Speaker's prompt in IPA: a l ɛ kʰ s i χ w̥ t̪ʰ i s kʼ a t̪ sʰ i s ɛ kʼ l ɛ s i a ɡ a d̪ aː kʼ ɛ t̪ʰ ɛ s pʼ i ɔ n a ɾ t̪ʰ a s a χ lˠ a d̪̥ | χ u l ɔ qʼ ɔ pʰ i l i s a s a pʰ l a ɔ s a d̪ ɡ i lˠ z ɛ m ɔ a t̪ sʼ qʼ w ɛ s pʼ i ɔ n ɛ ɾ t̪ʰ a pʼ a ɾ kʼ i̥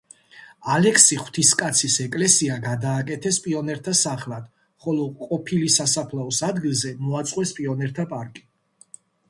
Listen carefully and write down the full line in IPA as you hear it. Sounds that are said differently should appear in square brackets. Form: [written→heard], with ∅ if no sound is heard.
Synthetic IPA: a l ɛ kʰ s i χ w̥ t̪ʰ i s kʼ a t̪ sʰ i s ɛ kʼ l ɛ s i a ɡ a d̪ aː kʼ ɛ t̪ʰ ɛ s pʼ i ɔ n [a→ɛ] ɾ t̪ʰ a s a χ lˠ a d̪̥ | χ [u→ɔ] l ɔ qʼ ɔ pʰ i l i s a s a pʰ l a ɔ s a d̪ ɡ i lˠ z ɛ m ɔ a t̪ sʼ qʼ w ɛ s pʼ i ɔ n ɛ ɾ t̪ʰ a pʼ a ɾ kʼ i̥